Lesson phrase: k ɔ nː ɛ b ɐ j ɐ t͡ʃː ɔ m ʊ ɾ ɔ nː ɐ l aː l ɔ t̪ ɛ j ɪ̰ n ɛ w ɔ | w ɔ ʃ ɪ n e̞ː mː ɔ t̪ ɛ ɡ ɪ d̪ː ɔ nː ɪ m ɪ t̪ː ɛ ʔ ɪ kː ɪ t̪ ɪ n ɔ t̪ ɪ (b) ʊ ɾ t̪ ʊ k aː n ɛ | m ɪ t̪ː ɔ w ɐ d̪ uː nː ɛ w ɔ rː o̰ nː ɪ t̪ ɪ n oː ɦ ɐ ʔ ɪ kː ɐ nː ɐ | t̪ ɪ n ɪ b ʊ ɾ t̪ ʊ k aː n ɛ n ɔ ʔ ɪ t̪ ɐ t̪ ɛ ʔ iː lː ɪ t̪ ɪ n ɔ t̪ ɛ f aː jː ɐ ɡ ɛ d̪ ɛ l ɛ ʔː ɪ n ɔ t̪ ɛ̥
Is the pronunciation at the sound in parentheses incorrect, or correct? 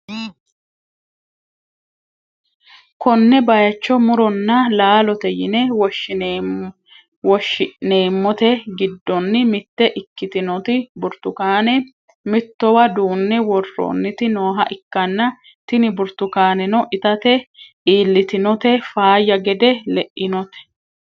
correct